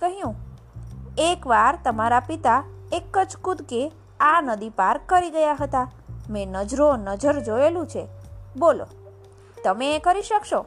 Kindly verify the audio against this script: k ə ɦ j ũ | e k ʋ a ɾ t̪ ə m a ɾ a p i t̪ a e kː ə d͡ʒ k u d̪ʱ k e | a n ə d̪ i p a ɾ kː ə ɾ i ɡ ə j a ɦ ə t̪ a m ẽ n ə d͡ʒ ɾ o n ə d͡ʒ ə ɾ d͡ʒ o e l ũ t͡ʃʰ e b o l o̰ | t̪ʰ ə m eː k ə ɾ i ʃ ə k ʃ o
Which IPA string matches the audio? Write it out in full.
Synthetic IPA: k ə ɦ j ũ | e k ʋ a ɾ t̪ ə m a ɾ a p i t̪ a e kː ə d͡ʒ k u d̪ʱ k e | a n ə d̪ i p a ɾ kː ə ɾ i ɡ ə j a ɦ ə t̪ a m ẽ n ə d͡ʒ ɾ o n ə d͡ʒ ə ɾ d͡ʒ o e l ũ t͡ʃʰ e b o l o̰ | t̪ ə m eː k ə ɾ i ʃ ə k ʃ o